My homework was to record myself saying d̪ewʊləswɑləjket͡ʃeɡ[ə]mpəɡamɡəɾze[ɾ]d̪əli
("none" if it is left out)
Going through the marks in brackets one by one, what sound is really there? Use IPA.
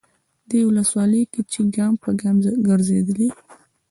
ɑ, none

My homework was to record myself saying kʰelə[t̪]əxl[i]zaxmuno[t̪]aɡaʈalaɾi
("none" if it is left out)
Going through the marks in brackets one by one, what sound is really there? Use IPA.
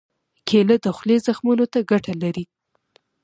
d̪, e, t̪

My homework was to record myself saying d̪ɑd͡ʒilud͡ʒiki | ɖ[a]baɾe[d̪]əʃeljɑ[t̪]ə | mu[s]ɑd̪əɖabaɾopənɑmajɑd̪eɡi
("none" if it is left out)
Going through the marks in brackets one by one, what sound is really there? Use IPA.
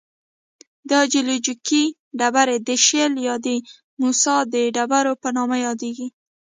a, d̪, d̪, s

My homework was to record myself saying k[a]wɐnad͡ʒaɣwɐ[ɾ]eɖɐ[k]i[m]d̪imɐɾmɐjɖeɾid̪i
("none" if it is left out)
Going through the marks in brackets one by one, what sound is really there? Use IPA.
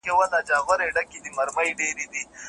e, ɾ, k, none

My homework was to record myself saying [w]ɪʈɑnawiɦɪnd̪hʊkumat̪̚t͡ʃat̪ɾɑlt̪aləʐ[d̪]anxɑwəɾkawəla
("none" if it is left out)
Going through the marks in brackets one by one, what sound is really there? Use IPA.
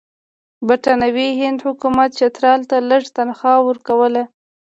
b, t̪

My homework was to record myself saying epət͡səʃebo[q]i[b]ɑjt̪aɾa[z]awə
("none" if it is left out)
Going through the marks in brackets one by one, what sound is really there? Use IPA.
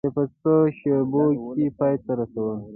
k, p, s

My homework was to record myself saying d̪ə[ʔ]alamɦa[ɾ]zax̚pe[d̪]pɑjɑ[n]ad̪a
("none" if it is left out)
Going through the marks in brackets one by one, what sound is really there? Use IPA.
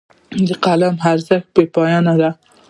q, ɾ, none, n

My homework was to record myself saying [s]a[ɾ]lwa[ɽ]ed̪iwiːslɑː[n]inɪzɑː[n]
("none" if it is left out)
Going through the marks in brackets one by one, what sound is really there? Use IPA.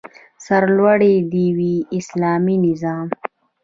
s, ɾ, ɽ, m, m

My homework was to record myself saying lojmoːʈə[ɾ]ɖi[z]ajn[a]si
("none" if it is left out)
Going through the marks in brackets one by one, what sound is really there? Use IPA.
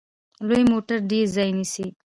ɾ, z, i

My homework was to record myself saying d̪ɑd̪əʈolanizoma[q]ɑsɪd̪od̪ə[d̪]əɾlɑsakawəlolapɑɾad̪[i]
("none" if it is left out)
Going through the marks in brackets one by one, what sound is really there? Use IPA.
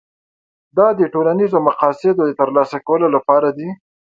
q, t̪, i

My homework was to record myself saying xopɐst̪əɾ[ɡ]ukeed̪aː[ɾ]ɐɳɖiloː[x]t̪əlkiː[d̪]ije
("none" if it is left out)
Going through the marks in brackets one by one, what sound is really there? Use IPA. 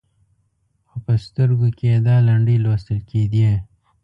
ɡ, l, s, d̪

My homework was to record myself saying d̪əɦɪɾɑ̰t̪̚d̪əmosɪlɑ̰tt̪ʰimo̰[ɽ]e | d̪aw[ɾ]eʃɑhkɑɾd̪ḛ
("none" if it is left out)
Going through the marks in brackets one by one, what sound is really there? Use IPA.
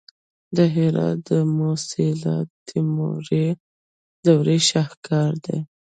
ɾ, ɾ

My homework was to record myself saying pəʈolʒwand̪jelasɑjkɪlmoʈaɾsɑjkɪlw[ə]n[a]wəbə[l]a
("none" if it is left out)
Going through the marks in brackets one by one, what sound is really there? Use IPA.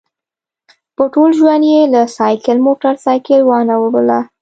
ɑ, a, l

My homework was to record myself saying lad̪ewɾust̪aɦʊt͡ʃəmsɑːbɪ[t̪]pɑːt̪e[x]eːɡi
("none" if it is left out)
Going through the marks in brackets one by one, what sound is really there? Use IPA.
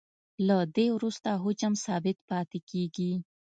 t̪, k

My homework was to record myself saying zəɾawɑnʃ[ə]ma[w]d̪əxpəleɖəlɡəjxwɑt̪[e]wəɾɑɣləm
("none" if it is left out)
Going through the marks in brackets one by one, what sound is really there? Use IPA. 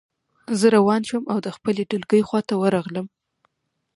ə, w, a

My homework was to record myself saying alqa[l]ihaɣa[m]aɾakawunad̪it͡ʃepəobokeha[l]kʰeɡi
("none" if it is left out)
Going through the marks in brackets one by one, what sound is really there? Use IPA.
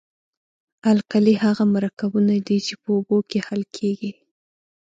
l, m, l

